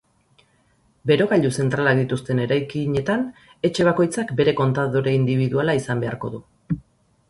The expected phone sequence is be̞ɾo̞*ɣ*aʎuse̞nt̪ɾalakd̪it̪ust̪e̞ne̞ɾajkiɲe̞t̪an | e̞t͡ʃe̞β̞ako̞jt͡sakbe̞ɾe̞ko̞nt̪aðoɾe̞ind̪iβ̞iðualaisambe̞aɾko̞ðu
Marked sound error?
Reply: no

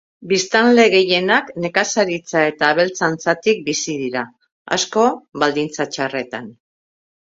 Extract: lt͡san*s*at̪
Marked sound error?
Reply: yes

